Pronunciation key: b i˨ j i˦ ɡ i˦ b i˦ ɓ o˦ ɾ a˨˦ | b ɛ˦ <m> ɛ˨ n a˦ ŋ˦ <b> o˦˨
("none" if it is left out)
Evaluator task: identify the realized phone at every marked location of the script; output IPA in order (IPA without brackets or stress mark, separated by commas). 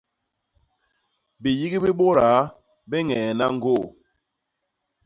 ŋ, ɡ